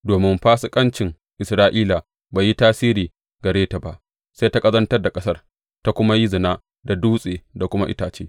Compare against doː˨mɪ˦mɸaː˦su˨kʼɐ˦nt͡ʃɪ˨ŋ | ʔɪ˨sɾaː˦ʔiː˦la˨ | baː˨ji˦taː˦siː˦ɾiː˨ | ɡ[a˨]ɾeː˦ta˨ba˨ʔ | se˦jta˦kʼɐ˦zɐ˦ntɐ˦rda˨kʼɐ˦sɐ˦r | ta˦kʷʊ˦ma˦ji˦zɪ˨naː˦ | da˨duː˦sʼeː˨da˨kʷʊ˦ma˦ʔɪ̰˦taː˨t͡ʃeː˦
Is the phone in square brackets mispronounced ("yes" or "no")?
yes